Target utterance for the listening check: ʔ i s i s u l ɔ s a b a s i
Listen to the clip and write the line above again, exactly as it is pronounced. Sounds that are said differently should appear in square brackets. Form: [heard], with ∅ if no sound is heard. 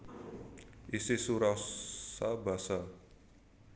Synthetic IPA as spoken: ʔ i s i s u [ɾ] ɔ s a b a s [a]